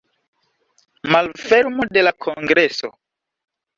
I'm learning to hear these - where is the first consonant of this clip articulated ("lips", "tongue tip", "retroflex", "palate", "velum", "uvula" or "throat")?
lips